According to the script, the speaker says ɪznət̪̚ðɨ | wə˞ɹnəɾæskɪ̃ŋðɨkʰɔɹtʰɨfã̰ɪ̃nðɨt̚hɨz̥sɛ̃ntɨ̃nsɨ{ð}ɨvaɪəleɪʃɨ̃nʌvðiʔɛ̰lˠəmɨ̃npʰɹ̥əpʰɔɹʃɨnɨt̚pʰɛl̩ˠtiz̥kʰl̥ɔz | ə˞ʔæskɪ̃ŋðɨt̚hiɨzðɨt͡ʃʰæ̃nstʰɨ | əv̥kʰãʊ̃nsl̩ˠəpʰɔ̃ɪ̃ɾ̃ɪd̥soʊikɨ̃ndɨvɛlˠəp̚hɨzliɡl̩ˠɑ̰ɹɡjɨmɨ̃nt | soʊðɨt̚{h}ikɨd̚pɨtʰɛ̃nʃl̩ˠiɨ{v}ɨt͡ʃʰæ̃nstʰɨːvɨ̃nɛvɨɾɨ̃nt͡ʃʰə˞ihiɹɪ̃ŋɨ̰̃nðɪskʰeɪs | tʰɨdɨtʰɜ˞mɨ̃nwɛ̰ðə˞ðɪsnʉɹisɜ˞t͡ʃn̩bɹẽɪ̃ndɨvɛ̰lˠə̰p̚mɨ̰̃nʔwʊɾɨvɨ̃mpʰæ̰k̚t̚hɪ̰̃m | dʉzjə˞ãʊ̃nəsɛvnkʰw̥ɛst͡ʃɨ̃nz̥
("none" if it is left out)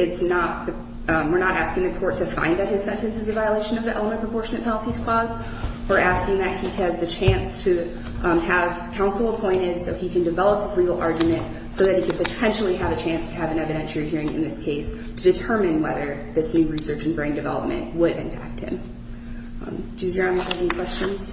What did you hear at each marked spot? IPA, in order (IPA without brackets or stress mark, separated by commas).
z, h, v